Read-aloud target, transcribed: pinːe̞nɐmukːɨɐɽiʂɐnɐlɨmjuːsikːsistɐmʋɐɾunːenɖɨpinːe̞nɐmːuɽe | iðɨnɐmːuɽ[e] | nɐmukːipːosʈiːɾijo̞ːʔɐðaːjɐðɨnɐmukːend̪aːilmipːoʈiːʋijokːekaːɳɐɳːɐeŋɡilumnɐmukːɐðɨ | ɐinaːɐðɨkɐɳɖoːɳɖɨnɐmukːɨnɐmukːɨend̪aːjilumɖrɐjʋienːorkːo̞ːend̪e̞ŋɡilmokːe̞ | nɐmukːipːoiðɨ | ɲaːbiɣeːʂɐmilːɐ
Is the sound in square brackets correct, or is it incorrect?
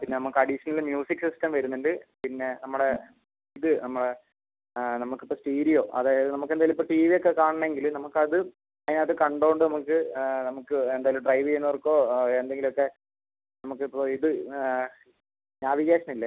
correct